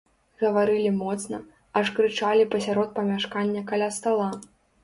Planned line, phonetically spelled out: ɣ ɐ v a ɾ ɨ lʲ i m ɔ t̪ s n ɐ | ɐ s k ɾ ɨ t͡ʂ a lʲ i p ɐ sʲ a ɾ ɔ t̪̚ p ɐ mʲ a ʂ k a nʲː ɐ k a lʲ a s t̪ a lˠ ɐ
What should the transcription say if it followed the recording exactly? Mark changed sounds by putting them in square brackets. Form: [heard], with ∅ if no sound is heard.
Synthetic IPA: ɣ ɐ v a ɾ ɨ lʲ i m ɔ t̪ s n ɐ | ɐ [ʂ] k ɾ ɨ t͡ʂ a lʲ i p ɐ sʲ a ɾ ɔ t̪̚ p ɐ mʲ a ʂ k a nʲː ɐ k a lʲ a s t̪ a lˠ [a]